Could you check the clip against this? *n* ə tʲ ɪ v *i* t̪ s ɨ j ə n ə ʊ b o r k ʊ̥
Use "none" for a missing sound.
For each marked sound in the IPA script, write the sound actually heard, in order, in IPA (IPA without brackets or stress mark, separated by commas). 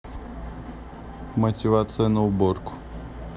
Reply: m, a